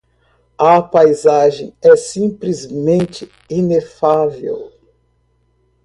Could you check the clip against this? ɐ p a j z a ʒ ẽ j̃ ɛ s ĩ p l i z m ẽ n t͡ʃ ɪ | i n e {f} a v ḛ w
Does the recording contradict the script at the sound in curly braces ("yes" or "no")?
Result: no